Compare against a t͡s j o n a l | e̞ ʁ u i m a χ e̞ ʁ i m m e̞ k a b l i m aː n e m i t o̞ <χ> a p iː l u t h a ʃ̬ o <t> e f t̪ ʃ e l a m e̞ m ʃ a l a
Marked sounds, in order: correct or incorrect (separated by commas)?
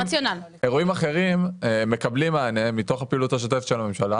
correct, correct